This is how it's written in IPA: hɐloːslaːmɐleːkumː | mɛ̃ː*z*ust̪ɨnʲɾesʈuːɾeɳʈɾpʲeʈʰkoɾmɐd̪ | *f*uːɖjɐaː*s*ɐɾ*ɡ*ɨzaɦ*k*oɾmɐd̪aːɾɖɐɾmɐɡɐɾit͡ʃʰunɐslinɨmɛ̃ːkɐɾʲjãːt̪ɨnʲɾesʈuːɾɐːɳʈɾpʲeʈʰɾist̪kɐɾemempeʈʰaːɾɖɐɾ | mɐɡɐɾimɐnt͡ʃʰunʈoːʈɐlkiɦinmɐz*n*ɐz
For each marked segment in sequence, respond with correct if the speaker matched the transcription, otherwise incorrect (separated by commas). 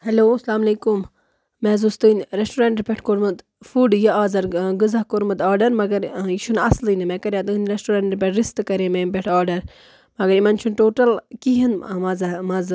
correct, correct, incorrect, correct, correct, incorrect